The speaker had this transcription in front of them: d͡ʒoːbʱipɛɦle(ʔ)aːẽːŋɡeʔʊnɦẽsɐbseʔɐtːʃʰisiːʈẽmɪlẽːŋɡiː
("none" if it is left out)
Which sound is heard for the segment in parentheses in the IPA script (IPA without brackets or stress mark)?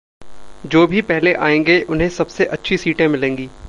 ʔ